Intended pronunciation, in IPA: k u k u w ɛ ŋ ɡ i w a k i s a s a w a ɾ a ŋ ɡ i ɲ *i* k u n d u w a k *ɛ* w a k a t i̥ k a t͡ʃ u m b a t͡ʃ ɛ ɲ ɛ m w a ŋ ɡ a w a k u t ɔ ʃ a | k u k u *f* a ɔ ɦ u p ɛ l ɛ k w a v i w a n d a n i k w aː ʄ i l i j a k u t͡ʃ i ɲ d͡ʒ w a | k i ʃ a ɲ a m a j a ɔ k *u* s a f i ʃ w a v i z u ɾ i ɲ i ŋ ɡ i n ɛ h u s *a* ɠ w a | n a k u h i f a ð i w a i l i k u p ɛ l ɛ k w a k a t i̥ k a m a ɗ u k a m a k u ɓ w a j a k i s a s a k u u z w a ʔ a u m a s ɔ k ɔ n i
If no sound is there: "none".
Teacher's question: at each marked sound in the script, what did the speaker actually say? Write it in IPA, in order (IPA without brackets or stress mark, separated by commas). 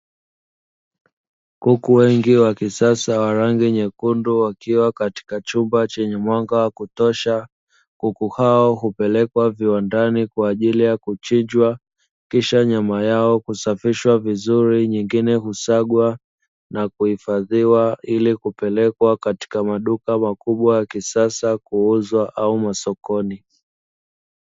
ɛ, i, h, u, a